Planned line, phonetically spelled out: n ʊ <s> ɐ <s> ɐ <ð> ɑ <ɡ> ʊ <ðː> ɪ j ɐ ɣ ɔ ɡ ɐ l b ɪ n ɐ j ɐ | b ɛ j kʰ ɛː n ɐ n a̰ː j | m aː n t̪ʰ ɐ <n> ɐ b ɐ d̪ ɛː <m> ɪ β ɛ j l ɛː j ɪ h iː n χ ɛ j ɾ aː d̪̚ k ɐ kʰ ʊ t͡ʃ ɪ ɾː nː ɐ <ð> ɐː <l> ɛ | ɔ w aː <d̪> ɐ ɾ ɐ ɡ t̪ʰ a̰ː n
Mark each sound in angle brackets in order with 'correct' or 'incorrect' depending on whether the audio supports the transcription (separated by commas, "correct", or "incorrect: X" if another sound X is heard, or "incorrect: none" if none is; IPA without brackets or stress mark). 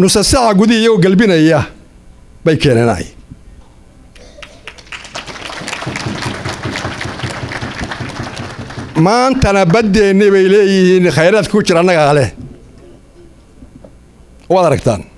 correct, correct, incorrect: ʕ, correct, incorrect: ð, correct, incorrect: n, incorrect: ɣ, correct, correct